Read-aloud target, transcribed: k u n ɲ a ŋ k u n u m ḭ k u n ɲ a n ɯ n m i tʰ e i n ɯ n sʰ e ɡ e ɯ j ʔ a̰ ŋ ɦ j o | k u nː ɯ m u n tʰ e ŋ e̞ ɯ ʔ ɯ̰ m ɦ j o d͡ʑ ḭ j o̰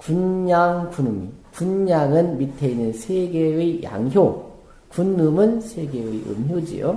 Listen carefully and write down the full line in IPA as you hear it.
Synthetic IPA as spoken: k u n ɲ a ŋ k u n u m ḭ k u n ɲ a ŋ ɯ n m i tʰ e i n ɯ n sʰ e ɡ e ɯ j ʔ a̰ ŋ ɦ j o | k u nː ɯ m ɯ n sʰ e ɡ e̞ ɯ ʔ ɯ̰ m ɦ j o d͡ʑ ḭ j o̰